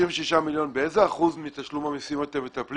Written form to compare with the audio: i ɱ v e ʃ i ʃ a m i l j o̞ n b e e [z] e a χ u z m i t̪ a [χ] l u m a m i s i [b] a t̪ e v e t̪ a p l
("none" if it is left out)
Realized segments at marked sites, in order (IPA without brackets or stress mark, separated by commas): z, ʃ, m